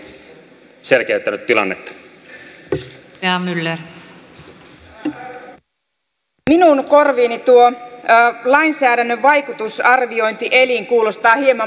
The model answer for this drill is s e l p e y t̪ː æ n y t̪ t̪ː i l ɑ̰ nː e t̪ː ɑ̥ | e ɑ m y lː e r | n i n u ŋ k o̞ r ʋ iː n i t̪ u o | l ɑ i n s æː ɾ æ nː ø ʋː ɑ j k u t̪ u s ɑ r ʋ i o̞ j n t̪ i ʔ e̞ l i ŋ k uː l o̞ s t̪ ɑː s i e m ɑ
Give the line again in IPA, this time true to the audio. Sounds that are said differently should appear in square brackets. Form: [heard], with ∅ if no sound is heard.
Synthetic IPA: s e l [k] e y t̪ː æ n y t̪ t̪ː i l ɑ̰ nː e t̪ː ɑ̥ | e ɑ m y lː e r | [m] i n u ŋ k o̞ r ʋ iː n i t̪ u o | l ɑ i n s æː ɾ æ nː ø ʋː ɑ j k u t̪ u s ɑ r ʋ i o̞ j n t̪ i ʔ e̞ l i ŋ k uː l o̞ s t̪ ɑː [h] i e m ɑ